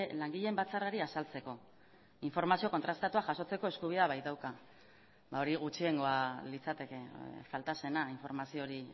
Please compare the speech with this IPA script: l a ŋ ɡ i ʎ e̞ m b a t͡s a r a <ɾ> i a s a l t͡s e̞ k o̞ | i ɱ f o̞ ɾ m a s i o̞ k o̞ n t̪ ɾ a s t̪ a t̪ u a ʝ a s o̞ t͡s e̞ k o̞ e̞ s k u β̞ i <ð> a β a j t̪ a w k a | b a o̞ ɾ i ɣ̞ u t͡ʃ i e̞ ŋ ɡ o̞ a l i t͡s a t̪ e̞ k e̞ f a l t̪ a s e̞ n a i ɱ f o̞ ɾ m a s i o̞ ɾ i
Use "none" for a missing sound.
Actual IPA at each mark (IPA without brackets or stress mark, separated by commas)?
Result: ɾ, ð